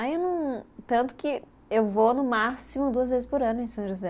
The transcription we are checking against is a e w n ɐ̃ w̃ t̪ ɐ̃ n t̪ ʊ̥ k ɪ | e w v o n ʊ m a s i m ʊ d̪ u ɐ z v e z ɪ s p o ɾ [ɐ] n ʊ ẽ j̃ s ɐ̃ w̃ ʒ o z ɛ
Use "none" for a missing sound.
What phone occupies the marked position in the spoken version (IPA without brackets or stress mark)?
ɐ̃